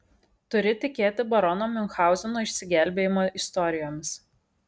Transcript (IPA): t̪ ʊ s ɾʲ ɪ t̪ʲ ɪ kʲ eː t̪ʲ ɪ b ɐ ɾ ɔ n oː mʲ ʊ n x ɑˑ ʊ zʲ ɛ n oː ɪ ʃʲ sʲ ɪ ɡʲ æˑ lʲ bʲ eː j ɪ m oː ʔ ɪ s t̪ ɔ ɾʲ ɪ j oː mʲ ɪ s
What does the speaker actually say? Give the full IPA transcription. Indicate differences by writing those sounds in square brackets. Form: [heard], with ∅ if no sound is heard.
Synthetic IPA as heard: t̪ ʊ [∅] ɾʲ ɪ t̪ʲ ɪ kʲ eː t̪ʲ ɪ b ɐ ɾ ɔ n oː mʲ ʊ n x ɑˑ ʊ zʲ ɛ n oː ɪ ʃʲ sʲ ɪ ɡʲ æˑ lʲ bʲ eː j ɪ m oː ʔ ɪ s t̪ ɔ ɾʲ ɪ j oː mʲ ɪ s